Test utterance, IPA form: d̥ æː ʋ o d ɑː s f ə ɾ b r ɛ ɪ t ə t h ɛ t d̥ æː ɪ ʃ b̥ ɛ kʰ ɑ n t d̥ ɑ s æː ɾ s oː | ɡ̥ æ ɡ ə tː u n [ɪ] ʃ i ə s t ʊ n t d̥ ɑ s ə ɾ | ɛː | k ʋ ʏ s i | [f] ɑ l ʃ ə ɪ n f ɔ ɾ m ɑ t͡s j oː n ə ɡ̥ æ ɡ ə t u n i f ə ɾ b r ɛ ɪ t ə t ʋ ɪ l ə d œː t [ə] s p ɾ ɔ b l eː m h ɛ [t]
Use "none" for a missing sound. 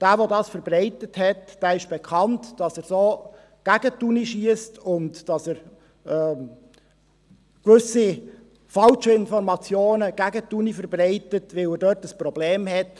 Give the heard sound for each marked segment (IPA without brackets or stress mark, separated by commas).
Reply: i, f, ə, t